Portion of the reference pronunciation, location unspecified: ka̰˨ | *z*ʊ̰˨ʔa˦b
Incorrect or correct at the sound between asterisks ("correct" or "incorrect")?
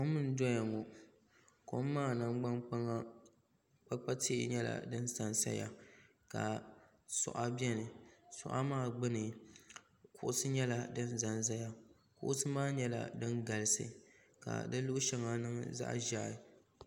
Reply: incorrect